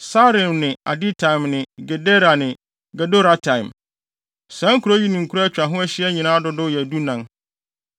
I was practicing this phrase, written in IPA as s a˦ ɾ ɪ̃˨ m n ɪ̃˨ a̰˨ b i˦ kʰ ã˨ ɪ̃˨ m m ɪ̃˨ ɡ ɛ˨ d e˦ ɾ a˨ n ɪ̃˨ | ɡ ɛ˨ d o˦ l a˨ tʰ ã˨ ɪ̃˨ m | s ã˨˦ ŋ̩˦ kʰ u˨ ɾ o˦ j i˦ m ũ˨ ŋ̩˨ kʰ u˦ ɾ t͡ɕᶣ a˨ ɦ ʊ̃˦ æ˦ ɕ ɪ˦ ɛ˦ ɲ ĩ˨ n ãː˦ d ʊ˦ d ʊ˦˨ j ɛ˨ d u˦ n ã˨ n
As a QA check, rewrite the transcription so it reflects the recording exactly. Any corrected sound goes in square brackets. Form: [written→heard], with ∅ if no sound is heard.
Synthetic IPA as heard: s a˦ ɾ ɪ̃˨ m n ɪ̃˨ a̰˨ [b→d] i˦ [kʰ→tʰ] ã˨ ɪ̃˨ m [m→n] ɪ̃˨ ɡ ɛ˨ d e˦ ɾ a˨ n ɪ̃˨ | ɡ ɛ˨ d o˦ [l→ɾ] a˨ tʰ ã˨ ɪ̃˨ m | s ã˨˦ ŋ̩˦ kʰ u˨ ɾ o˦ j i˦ [m→n] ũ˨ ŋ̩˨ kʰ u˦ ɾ t͡ɕᶣ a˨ ɦ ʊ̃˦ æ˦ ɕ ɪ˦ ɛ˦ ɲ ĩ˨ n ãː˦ d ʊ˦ d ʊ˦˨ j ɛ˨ d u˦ n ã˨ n